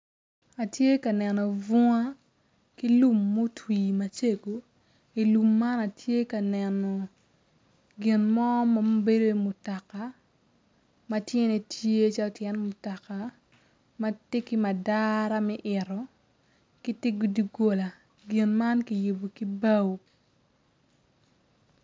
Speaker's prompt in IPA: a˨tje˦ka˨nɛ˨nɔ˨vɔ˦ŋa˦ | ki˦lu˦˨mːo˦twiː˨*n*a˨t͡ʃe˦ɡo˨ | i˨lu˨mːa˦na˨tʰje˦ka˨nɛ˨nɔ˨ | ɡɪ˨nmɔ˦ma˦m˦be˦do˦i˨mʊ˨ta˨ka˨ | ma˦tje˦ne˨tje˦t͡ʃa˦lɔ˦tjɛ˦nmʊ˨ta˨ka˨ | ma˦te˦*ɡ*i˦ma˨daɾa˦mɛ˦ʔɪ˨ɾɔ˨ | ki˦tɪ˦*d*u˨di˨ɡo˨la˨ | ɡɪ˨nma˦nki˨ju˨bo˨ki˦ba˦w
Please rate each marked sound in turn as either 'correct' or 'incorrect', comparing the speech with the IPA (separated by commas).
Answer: incorrect, incorrect, incorrect